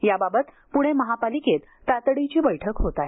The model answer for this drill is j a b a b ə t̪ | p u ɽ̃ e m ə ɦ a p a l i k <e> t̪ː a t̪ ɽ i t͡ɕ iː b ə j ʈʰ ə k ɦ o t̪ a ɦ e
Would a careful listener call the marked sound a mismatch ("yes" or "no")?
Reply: no